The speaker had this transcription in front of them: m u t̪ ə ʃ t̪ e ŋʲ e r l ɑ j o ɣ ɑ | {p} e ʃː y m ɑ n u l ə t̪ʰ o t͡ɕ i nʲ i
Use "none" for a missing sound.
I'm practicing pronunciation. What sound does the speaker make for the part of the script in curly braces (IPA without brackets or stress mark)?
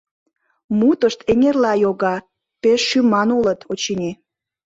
p